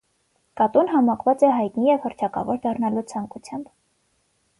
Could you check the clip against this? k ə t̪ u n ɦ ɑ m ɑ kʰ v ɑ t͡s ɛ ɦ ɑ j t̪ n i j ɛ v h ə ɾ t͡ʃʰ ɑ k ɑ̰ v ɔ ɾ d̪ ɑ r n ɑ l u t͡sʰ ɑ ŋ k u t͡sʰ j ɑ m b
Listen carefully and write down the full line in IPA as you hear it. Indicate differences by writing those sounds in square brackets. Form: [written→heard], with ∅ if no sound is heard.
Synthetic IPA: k [ə→ɑ] t̪ u n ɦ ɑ m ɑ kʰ v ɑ t͡s ɛ ɦ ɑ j t̪ n i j ɛ v h ə ɾ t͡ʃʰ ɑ k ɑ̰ v ɔ ɾ d̪ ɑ r n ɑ l u t͡sʰ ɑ ŋ k u t͡sʰ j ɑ m b